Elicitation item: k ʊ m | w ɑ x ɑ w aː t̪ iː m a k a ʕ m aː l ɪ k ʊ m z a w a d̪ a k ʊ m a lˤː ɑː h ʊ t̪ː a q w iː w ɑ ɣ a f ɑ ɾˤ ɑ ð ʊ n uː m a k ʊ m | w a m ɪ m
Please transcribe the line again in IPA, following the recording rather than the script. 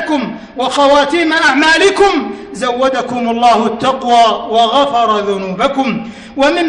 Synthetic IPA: k ʊ m | w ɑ x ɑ w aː t̪ iː m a ʔ a ʕ m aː l ɪ k ʊ m z a wː a d̪ a k ʊ m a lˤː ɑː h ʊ t̪ː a q w aː w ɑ ɣ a f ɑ ɾˤ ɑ ð ʊ n uː b a k ʊ m | w a m ɪ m